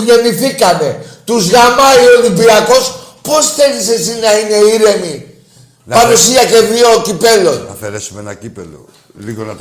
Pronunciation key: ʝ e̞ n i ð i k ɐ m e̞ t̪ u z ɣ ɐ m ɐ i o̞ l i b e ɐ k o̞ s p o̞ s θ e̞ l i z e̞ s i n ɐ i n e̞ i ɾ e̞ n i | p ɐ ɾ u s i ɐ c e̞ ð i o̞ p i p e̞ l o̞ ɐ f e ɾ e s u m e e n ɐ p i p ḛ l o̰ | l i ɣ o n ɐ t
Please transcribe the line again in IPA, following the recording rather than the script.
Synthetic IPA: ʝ e̞ n i θ i k ɐ m e̞ t̪ u z ɣ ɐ m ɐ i o̞ l i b i ɐ k o̞ s p o̞ s θ e̞ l i s e̞ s i n ɐ i n e̞ i ɾ e̞ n i | p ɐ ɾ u s i ɐ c e̞ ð i o̞ c i p e̞ l o̞ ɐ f e ɾ e s u m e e n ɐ c i p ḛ l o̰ | l i ɣ o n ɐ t